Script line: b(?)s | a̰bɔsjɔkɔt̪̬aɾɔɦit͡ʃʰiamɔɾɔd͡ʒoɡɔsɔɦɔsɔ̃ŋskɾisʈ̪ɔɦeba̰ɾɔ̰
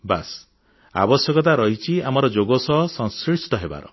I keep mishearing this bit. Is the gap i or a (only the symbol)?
a